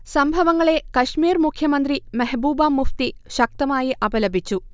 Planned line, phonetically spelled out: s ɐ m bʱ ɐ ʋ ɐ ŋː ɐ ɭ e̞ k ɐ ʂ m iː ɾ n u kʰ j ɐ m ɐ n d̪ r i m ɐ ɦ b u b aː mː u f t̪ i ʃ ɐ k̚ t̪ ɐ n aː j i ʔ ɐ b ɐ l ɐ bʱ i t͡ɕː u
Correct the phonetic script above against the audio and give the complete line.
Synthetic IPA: s ɐ m bʱ ɐ ʋ ɐ ŋː ɐ ɭ e̞ k ɐ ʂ m iː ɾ m u kʰ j ɐ m ɐ n d̪ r i m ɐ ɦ b uː b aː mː u f t̪ i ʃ ɐ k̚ t̪ ɐ m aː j i ʔ ɐ b ɐ l ɐ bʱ i t͡ɕː u